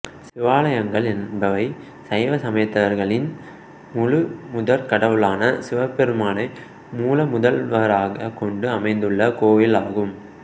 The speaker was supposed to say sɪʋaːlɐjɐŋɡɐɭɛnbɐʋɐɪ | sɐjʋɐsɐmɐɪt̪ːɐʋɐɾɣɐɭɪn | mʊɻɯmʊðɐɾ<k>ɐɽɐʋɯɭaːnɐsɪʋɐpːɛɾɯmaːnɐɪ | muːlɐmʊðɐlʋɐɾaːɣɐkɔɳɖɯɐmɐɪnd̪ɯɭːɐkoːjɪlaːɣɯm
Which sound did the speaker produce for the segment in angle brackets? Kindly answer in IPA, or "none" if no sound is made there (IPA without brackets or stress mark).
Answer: k